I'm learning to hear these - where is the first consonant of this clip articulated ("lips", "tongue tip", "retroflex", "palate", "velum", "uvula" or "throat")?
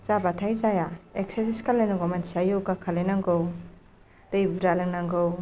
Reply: tongue tip